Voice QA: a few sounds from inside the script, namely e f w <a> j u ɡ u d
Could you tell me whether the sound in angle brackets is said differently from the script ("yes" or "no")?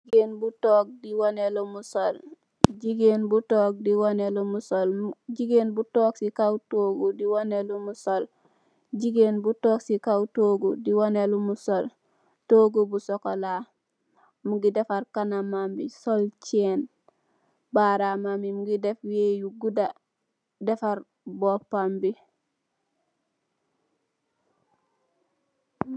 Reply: yes